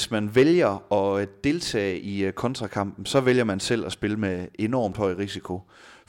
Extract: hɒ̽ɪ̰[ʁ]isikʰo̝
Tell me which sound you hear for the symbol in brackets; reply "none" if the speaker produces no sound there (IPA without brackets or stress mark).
ʁ